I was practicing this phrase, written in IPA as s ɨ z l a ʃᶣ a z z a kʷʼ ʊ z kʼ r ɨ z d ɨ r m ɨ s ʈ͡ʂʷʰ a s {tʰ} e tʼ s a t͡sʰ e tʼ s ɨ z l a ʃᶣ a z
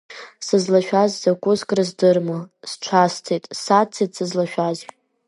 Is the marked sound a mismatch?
no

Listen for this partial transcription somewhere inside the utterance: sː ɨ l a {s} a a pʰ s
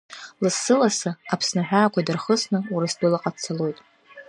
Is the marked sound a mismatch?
no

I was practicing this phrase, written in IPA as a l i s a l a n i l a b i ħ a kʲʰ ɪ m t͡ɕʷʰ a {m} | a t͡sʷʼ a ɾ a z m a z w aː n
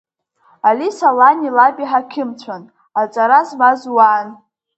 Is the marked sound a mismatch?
yes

